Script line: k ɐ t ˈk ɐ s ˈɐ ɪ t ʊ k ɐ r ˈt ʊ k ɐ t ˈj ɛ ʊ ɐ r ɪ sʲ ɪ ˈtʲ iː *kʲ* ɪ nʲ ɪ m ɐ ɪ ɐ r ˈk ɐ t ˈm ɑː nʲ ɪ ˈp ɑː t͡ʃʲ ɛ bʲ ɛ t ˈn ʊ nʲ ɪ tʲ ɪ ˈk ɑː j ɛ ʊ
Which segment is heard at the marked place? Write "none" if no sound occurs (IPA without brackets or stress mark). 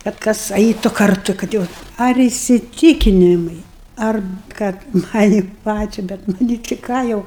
kʲ